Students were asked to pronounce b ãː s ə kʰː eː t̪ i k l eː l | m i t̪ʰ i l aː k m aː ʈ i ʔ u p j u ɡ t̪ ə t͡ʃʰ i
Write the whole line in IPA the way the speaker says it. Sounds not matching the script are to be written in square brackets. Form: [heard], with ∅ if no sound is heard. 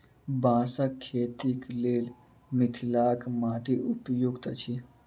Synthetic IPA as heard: b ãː s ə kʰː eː t̪ i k l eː l | m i t̪ʰ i l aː k m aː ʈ i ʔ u p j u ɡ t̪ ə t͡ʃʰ i